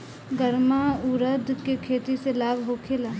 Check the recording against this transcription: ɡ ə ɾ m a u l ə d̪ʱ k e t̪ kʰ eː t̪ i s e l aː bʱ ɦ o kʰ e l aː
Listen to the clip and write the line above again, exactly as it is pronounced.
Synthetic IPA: ɡ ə ɾ m a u ɾ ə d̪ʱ k e kʰ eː t̪ i s e l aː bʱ ɦ o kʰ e l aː